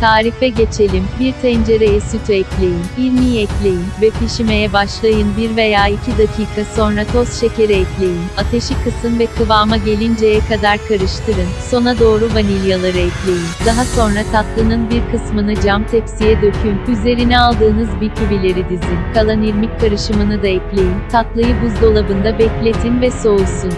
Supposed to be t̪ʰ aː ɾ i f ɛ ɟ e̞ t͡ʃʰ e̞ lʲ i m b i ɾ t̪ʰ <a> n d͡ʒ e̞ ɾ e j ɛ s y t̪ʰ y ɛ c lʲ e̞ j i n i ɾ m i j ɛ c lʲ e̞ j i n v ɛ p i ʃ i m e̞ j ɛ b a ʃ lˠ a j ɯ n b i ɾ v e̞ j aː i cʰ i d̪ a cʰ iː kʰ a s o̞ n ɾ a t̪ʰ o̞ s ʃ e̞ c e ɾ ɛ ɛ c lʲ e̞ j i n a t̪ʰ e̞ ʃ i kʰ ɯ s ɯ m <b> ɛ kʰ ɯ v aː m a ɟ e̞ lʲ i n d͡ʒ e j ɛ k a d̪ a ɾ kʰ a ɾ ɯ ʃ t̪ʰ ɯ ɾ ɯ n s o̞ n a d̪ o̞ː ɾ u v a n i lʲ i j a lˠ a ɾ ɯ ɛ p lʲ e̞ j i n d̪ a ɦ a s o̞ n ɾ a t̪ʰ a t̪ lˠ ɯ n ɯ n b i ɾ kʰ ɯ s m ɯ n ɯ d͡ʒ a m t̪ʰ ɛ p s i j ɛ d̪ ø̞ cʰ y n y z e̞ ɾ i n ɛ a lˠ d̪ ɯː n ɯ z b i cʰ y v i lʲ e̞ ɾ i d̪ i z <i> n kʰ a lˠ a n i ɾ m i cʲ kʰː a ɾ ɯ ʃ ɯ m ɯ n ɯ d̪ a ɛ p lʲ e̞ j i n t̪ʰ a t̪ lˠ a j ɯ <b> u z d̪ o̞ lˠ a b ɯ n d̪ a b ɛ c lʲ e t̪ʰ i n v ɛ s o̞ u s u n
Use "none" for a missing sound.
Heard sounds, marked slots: ɛ, v, i, b

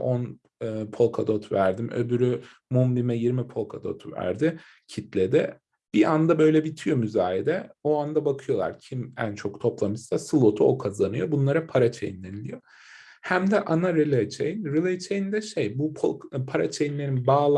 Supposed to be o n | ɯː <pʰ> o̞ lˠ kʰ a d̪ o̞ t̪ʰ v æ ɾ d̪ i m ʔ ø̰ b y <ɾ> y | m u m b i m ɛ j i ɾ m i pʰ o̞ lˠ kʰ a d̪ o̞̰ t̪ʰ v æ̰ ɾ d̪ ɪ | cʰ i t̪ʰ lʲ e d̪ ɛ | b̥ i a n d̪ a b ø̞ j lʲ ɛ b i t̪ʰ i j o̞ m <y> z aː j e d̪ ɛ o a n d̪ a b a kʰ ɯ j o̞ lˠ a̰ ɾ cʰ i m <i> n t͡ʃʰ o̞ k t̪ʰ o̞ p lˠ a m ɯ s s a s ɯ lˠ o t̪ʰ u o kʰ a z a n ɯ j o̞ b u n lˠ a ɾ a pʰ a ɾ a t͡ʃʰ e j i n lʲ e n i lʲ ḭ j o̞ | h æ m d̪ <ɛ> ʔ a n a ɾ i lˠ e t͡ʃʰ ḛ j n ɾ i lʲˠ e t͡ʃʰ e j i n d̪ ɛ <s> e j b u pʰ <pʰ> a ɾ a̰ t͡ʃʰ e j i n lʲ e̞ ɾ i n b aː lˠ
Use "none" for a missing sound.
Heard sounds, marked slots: pʰ, ɾ, y, æ, ɛ, ʃ, pʰ

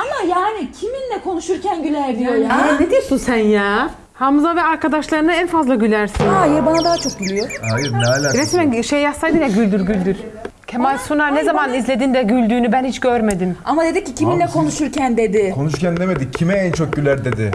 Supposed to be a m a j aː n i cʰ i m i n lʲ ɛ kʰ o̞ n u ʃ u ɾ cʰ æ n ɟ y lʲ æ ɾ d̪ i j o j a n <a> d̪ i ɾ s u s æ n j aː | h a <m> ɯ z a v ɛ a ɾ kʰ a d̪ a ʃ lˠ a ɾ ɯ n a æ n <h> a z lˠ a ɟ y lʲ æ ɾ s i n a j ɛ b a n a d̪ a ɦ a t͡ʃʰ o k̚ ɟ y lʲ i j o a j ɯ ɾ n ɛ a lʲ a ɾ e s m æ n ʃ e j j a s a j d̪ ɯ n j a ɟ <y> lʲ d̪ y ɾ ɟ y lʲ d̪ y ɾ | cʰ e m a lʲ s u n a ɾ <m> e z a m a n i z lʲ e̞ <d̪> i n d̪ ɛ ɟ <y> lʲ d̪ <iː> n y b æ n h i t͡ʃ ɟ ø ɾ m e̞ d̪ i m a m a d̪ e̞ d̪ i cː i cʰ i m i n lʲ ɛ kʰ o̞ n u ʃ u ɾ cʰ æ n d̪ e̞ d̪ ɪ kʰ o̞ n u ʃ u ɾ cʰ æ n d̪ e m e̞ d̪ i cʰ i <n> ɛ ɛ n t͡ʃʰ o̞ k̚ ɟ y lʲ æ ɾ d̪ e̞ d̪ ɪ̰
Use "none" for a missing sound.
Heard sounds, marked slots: e, m, f, y, n, d̪, y, yː, m

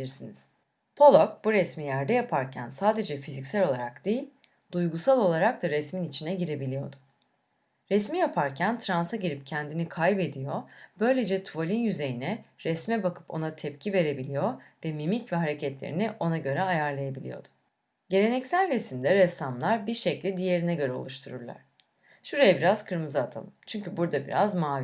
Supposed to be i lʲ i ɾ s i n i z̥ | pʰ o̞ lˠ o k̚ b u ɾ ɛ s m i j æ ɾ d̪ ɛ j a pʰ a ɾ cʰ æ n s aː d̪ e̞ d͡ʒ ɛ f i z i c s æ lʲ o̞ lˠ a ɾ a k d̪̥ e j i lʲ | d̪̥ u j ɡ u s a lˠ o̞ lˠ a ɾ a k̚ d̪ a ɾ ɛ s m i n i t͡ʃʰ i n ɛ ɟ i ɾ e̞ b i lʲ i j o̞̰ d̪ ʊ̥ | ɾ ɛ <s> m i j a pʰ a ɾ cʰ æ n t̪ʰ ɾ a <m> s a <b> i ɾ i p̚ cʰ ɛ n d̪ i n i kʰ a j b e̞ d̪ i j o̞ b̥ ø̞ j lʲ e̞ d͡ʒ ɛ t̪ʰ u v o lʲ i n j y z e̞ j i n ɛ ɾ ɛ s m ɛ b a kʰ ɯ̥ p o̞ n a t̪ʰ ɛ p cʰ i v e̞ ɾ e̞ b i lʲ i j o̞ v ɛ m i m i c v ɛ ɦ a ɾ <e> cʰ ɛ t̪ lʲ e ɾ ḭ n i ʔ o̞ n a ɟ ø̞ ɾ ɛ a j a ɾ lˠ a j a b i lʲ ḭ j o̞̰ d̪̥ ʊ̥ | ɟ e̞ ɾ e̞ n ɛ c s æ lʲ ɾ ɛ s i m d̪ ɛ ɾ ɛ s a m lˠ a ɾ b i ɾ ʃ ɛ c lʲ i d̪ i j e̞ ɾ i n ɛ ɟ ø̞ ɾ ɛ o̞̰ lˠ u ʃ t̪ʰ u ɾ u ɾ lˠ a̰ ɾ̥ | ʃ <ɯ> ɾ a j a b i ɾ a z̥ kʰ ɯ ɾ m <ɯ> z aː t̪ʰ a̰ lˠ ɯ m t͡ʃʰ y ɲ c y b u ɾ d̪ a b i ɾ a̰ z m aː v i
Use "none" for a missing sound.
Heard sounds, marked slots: s, n, ɟ, e, u, ɯ

